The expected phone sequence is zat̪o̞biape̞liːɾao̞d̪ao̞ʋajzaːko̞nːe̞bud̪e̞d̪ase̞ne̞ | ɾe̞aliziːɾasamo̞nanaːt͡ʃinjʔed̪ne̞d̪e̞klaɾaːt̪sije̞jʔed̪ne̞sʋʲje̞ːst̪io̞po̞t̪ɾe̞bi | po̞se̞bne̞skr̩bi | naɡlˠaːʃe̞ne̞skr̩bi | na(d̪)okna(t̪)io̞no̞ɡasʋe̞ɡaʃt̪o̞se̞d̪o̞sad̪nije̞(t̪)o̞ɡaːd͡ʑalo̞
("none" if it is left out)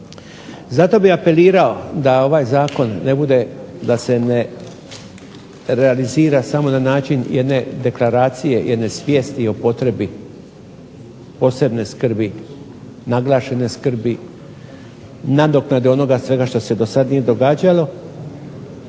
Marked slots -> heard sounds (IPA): d̪, d̪, d̪

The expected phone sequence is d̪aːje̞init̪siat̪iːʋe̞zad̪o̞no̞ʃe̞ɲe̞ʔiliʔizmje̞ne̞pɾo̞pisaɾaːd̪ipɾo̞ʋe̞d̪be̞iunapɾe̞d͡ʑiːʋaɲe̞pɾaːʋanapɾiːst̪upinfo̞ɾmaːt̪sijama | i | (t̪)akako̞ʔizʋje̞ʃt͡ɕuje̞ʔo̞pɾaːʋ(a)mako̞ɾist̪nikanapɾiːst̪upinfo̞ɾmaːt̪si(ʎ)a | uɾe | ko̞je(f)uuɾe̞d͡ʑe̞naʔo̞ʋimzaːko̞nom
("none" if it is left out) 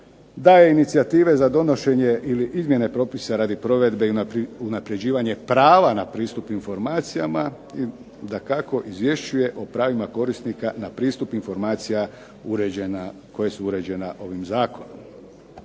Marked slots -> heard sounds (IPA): d̪, i, j, s

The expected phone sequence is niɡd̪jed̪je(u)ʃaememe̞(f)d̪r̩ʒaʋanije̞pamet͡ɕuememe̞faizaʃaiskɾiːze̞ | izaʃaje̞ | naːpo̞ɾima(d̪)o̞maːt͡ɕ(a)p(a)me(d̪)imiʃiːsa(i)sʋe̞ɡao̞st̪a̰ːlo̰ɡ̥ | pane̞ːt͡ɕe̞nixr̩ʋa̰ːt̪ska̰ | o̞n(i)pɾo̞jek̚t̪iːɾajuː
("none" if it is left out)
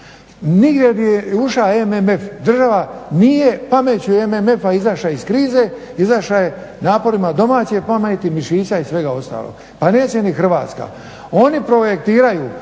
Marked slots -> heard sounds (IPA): u, f, d̪, e, a, t̪, i, i

